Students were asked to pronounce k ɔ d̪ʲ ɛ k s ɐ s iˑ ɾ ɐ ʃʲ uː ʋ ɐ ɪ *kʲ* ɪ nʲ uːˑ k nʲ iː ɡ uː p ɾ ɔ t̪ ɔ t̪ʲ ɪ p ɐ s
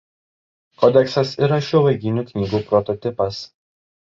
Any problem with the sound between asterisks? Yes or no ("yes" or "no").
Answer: yes